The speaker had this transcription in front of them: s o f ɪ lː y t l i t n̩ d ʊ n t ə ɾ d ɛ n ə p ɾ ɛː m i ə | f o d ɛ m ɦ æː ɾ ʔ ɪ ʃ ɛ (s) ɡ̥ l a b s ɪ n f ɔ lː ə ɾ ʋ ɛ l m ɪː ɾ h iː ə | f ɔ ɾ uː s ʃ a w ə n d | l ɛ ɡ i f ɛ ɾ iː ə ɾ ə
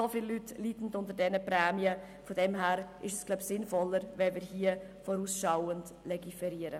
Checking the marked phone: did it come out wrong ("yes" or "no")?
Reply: no